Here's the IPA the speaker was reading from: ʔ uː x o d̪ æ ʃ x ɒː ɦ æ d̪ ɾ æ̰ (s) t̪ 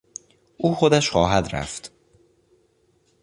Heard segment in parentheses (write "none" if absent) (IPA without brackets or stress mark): f